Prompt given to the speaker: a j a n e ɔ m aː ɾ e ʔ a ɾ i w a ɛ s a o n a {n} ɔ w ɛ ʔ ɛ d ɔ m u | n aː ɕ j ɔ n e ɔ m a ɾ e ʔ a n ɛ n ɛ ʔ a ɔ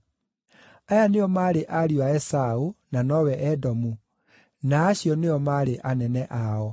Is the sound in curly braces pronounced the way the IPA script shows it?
yes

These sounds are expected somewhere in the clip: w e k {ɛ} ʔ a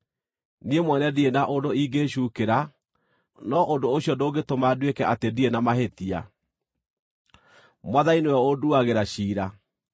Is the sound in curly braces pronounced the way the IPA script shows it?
yes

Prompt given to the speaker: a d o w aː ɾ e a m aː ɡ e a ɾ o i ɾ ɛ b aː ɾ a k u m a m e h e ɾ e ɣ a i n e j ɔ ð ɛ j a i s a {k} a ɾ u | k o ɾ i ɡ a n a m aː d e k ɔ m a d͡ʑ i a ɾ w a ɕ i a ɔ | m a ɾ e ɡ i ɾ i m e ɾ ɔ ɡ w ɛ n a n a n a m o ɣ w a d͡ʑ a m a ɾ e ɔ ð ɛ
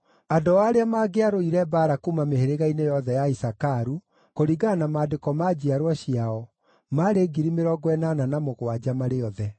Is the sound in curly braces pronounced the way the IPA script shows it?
yes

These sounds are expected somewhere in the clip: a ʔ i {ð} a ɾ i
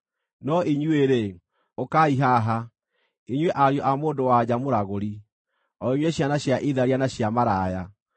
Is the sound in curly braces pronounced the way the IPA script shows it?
yes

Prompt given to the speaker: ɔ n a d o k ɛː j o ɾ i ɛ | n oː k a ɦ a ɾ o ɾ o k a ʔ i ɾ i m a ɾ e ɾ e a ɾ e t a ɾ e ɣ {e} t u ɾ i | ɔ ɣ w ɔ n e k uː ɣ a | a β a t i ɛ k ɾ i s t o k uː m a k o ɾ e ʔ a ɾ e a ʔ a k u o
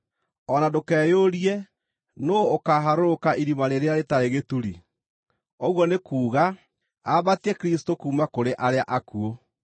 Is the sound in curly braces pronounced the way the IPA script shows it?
yes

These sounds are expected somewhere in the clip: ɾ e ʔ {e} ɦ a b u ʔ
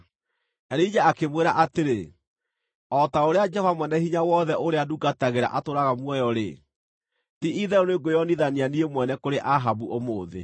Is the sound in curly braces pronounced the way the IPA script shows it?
no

